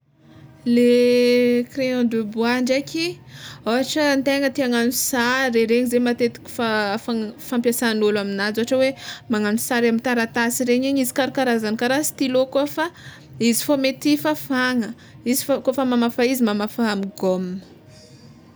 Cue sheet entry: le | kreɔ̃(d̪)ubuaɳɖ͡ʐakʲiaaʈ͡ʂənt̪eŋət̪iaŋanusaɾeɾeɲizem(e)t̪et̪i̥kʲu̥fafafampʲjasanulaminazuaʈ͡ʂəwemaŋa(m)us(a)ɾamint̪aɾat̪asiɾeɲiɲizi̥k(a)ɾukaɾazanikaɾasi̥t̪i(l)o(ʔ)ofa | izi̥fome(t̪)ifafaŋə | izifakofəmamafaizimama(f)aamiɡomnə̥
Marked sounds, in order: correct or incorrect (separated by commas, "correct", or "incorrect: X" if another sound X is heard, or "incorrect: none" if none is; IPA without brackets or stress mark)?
correct, incorrect: a, incorrect: n, correct, correct, correct, incorrect: k, correct, correct